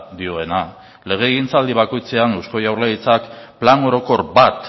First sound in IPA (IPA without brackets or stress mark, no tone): d̪